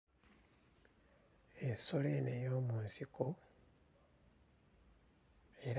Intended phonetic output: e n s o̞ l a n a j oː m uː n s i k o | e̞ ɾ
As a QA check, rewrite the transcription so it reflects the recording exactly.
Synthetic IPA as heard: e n s o̞ l e n e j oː m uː n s i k o | e̞ ɾ